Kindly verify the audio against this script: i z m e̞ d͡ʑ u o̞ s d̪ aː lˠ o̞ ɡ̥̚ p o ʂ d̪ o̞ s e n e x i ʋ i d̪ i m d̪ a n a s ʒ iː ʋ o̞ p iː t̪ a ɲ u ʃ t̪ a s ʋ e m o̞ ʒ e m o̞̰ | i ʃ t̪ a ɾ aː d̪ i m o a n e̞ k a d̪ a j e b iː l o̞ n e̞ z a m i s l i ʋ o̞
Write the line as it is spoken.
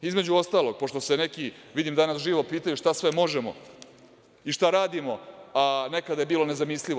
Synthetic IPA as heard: i z m e̞ d͡ʑ u o̞ s t̪ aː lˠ o̞ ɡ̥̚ p o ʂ t̪ o̞ s e n e k i ʋ i d̪ i m d̪ a n a s ʒ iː ʋ o̞ p iː t̪ a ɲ u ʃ t̪ a s ʋ e m o̞ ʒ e m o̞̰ | i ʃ t̪ a ɾ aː d̪ i m o a n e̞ k a d̪ a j e b iː l o̞ n e̞ z a m i s l i ʋ o̞